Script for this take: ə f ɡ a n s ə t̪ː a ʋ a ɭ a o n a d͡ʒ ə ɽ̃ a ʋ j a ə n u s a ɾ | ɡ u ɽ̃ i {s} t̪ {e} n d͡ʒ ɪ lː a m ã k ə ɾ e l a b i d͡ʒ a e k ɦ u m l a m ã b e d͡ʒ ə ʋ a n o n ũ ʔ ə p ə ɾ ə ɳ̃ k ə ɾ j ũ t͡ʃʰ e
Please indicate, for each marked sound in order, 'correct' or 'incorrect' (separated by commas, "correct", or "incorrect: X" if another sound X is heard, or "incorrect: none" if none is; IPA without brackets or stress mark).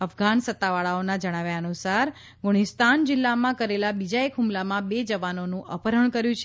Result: correct, incorrect: a